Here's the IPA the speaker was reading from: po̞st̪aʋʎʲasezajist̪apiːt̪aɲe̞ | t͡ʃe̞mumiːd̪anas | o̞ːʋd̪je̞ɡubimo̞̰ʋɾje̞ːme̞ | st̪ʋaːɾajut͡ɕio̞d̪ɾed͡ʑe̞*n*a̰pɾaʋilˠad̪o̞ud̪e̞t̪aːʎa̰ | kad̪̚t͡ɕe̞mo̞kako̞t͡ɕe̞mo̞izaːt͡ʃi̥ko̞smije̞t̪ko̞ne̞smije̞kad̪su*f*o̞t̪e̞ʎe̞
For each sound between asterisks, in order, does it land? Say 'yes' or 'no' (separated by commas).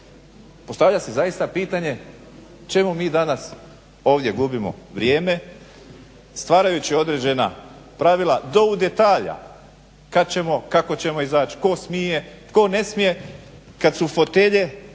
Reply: yes, yes